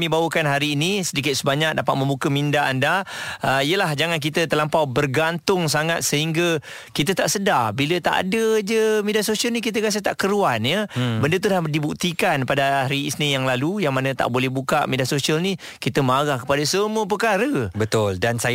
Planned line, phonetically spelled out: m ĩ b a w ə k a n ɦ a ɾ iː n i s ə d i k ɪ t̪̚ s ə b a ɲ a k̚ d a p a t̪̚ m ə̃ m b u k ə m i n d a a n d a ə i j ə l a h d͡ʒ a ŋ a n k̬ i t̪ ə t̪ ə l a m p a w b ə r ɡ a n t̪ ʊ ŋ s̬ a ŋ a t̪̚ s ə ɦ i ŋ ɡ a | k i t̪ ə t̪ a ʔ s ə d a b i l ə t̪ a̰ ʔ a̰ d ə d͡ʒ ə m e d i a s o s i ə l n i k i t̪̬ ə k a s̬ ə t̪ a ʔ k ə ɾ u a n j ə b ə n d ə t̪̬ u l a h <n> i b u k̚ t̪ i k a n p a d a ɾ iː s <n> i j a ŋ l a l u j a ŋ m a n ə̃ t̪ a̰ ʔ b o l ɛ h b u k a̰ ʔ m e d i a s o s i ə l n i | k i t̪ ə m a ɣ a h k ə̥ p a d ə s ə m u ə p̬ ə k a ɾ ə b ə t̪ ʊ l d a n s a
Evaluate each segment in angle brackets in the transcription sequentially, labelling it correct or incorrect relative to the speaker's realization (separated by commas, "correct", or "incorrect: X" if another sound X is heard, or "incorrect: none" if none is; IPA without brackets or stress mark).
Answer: incorrect: d, correct